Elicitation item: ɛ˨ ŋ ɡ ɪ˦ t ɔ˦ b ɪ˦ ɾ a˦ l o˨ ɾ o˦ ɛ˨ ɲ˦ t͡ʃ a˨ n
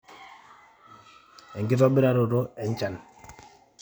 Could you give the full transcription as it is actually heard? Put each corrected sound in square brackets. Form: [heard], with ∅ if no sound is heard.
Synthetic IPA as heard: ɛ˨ ŋ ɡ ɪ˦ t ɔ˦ b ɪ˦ ɾ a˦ [ɾ] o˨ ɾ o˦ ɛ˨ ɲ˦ t͡ʃ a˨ n